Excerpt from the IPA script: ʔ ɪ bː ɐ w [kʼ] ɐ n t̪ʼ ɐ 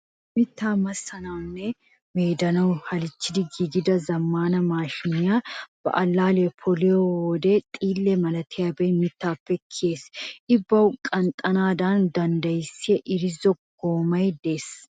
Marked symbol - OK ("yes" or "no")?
yes